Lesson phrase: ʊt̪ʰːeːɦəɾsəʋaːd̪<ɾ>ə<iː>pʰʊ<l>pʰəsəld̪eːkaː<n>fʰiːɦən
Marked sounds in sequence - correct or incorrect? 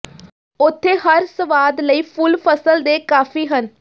incorrect, correct, correct, incorrect

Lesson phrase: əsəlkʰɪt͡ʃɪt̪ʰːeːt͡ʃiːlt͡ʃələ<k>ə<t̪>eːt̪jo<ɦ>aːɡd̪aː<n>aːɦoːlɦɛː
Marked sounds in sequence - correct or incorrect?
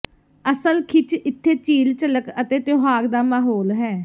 correct, correct, correct, incorrect

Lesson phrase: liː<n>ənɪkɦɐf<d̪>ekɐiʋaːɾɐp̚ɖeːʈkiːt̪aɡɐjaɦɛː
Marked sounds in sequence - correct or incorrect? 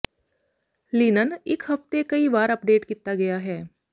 correct, incorrect

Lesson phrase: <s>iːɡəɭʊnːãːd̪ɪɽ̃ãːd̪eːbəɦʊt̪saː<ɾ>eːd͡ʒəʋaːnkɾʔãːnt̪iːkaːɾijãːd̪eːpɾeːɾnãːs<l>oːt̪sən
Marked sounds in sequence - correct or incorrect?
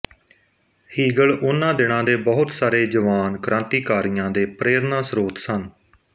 incorrect, correct, incorrect

